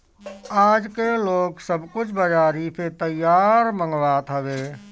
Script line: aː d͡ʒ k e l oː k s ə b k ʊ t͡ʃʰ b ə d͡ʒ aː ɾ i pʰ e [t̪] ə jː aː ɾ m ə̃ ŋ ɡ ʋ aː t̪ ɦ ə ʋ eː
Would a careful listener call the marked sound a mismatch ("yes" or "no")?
no